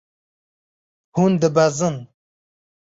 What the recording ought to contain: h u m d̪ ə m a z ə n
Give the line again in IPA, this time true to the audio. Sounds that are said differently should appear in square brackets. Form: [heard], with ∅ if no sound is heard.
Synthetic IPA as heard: h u [n] d̪ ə [b] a z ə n